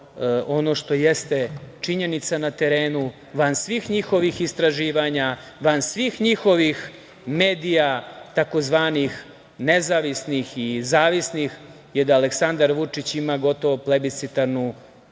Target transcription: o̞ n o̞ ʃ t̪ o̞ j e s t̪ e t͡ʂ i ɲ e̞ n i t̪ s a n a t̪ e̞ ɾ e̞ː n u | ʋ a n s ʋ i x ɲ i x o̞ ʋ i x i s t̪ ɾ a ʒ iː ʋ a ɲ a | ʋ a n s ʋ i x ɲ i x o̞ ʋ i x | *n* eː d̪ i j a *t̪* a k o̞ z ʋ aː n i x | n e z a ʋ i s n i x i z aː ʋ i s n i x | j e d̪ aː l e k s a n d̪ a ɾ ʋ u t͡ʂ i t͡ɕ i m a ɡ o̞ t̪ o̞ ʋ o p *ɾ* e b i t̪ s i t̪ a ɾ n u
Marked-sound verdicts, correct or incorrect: incorrect: m, correct, incorrect: l

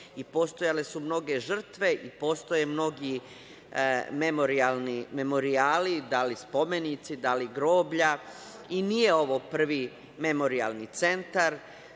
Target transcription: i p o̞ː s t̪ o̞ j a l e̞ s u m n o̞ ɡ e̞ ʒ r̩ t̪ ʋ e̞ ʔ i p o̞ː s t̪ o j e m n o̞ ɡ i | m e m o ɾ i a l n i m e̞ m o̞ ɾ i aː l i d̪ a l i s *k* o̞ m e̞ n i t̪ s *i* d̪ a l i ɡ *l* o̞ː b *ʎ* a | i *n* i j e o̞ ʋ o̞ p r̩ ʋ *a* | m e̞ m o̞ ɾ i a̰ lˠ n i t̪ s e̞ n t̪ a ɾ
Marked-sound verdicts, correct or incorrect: incorrect: p, correct, incorrect: ɾ, correct, correct, incorrect: i

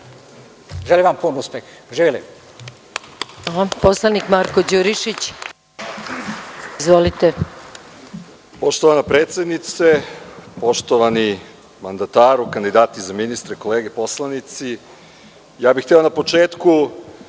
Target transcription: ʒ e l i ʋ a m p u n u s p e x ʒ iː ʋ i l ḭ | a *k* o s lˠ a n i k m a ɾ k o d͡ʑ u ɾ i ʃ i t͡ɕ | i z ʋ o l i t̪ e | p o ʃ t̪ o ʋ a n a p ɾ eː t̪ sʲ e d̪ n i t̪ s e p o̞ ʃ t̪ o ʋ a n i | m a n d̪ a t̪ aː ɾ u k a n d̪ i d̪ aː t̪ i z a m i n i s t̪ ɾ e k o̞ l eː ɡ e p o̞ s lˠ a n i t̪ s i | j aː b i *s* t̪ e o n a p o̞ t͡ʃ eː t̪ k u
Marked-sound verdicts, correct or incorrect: incorrect: p, incorrect: x

